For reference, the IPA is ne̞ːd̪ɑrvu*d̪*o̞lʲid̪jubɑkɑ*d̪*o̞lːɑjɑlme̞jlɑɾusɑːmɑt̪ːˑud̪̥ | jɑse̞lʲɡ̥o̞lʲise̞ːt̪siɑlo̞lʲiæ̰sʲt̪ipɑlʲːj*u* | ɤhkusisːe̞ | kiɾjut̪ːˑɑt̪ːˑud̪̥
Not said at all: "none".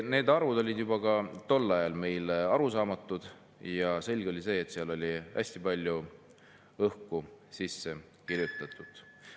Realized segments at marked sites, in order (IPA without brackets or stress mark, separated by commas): d̪, t̪, u